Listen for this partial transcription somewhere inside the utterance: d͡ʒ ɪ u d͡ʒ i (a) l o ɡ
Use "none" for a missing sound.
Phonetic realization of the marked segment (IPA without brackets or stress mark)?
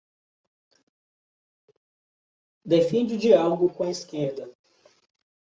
a